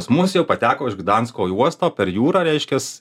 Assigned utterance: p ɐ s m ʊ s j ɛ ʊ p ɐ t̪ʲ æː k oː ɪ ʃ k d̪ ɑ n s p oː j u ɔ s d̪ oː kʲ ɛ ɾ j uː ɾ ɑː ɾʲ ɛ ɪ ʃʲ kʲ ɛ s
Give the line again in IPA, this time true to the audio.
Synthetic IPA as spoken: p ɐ s m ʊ s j ɛ ʊ p ɐ t̪ʲ æː k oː ɪ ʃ ɡ d̪ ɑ n s k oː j u ɔ s t̪ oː pʲ ɛ ɾ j uː ɾ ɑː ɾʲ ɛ ɪ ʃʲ kʲ ɛ s